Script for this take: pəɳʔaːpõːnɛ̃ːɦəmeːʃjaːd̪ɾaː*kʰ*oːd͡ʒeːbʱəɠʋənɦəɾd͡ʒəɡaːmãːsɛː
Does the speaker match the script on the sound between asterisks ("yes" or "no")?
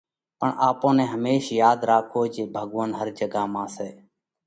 yes